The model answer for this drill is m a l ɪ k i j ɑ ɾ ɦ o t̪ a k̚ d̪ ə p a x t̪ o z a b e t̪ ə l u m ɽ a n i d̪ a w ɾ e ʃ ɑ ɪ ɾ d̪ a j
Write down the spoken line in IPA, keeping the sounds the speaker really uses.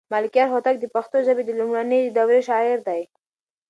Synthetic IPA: m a l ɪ k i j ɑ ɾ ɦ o t̪ a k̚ d̪ ə p a x t̪ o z a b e d̪ ə l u m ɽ a n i d̪ a w ɾ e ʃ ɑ ɪ ɾ d̪ a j